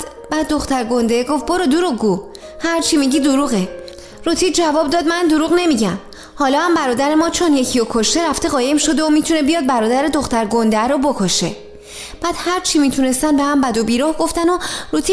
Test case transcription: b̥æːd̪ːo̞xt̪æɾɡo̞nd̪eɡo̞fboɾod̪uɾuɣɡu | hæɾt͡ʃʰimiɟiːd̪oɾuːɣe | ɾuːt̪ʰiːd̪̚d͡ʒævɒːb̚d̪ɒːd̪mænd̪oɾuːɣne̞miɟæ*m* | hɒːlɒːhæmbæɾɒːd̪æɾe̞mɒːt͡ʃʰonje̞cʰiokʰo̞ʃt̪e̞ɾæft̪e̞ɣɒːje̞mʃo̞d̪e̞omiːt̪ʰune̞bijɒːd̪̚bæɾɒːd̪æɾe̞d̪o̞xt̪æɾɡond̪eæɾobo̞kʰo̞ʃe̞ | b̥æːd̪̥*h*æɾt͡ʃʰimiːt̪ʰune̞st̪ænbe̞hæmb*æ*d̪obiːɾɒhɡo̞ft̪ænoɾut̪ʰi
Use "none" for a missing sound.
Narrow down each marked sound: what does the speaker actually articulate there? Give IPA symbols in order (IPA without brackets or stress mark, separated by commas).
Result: m, h, æ